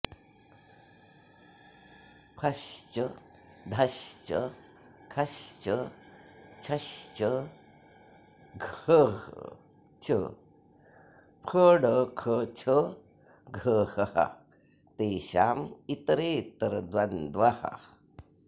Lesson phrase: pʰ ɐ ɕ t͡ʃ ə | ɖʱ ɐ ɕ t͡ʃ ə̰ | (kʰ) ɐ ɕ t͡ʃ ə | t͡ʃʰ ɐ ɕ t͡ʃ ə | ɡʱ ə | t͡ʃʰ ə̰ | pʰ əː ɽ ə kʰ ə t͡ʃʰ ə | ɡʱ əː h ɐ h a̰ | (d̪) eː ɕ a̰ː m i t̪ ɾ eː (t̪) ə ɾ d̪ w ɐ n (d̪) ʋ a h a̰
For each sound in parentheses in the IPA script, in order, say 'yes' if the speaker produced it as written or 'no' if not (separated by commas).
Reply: yes, no, yes, yes